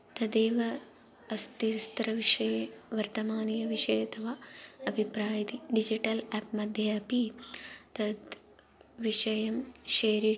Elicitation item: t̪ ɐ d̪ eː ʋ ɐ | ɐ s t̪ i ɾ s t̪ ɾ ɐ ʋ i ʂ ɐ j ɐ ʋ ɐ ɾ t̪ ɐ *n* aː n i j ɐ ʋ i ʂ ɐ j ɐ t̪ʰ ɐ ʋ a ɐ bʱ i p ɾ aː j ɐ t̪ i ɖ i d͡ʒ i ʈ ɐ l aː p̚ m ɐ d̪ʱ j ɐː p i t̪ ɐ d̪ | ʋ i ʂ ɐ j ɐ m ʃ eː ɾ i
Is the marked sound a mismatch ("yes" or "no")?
yes